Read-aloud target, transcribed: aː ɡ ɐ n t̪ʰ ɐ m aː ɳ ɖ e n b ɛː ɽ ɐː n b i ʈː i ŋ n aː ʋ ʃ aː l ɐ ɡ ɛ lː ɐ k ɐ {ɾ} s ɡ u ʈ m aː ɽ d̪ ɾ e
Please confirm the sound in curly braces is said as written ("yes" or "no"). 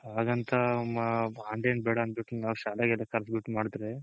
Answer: yes